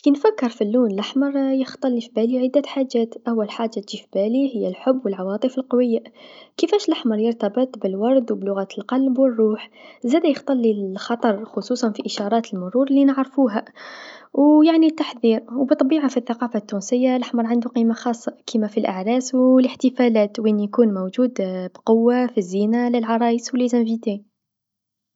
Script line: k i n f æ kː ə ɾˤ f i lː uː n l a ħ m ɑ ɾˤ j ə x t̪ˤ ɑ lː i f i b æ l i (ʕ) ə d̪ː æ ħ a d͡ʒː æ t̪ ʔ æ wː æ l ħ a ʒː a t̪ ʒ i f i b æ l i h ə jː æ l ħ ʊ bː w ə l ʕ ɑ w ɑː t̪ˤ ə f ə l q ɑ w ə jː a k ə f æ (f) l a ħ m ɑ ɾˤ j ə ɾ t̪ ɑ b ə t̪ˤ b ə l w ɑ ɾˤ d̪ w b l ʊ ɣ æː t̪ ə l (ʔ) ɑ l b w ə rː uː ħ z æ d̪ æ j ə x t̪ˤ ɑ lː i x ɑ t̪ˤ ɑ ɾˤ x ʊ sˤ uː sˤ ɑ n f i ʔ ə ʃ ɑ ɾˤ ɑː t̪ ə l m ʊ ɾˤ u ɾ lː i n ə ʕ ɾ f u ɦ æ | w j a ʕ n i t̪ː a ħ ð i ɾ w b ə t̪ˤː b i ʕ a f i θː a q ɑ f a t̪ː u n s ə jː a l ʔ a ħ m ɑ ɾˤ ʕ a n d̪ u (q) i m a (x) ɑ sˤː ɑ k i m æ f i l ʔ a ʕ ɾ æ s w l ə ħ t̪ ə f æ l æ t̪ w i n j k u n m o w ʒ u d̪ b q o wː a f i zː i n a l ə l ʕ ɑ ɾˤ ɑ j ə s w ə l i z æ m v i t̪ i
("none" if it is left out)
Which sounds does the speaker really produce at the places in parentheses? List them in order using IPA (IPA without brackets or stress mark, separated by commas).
ʕ, ʃ, q, q, x